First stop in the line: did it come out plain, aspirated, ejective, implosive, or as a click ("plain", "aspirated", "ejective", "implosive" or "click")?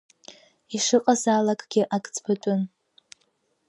ejective